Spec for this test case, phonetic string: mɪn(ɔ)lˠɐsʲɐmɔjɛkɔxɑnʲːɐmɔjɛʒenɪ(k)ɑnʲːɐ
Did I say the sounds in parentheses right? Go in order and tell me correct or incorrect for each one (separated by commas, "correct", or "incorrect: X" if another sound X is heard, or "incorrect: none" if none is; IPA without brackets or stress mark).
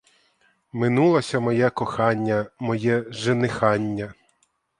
incorrect: u, incorrect: x